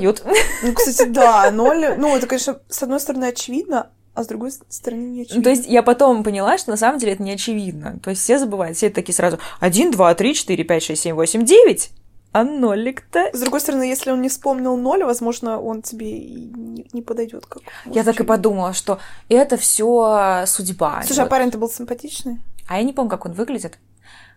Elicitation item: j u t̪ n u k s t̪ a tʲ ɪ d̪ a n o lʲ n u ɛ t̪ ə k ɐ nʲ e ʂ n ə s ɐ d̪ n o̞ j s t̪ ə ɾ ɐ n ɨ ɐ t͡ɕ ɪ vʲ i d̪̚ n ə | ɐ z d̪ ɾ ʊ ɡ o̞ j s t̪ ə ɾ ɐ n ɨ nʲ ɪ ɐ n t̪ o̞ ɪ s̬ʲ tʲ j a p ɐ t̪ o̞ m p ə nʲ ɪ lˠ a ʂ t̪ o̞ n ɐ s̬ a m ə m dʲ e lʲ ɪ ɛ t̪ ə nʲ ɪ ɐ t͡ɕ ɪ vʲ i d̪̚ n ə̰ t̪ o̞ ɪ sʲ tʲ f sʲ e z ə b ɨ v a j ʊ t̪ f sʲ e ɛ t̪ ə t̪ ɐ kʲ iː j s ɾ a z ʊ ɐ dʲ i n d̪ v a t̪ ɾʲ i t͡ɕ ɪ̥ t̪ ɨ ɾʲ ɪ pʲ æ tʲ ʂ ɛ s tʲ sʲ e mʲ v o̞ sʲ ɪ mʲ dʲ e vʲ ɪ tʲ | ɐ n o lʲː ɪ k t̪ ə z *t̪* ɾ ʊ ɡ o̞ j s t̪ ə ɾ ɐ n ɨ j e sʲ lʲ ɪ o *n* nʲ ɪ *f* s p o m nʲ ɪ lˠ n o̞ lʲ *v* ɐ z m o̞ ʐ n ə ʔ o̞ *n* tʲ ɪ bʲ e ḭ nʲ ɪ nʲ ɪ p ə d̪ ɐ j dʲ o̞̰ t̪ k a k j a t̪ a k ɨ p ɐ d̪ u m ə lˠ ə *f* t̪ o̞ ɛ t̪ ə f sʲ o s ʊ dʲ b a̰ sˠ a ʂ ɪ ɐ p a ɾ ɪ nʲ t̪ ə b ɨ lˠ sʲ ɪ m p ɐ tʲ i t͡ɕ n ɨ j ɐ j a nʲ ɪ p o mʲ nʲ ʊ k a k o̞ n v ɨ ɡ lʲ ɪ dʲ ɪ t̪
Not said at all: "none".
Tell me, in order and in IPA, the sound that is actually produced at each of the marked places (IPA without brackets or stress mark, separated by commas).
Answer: d̪, n, f, v, n, ʂ